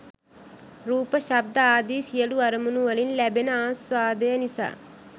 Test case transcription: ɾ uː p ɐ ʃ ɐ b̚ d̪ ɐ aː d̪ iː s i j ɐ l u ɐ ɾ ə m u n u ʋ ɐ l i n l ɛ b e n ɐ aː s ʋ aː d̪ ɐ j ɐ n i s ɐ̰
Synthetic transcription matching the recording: ɾ uː p ɐ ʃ ɐ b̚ d̪ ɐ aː d̪ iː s i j ɐ l u ɐ ɾ ɐ m u n u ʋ ɐ l i n l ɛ b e n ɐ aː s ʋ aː d̪ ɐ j ɐ n i s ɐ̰